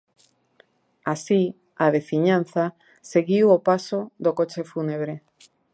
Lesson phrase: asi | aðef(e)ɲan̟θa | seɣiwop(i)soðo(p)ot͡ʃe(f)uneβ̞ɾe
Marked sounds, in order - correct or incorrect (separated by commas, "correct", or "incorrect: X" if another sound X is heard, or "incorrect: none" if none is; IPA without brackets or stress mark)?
incorrect: i, incorrect: a, incorrect: k, correct